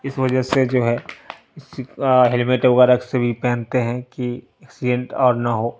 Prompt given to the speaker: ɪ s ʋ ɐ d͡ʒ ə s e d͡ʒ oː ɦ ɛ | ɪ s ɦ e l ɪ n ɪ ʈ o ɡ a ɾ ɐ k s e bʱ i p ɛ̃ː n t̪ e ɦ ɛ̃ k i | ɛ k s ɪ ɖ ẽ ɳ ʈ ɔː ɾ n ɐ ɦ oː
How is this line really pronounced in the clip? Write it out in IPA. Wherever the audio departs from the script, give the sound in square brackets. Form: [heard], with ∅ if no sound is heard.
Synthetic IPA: ɪ s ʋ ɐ d͡ʒ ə s e d͡ʒ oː ɦ ɛ | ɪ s ɦ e l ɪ [m] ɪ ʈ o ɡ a ɾ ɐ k s e bʱ i p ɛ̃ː n t̪ e ɦ ɛ̃ k i | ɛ k s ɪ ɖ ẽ ɳ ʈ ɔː ɾ n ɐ ɦ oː